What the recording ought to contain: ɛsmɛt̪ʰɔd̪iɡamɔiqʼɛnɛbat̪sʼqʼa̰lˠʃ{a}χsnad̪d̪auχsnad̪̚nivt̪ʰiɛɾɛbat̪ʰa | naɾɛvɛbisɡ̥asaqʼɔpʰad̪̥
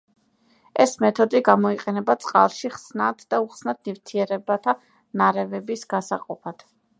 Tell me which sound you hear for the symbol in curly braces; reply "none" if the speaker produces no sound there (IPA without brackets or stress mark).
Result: i